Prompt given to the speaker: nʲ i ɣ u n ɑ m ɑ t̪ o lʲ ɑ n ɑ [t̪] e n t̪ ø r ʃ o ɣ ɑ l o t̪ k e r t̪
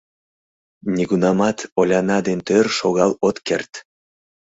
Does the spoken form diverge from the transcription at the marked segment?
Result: yes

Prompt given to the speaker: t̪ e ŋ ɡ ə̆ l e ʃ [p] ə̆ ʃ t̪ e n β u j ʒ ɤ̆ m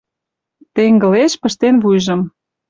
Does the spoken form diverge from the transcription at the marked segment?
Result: no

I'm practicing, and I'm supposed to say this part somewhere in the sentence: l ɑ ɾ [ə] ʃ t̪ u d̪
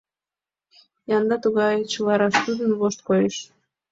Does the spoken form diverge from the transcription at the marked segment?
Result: yes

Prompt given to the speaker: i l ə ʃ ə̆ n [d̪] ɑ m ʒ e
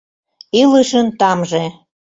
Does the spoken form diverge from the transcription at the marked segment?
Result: yes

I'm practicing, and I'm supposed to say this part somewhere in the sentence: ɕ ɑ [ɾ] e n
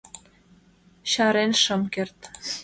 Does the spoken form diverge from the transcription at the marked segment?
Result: no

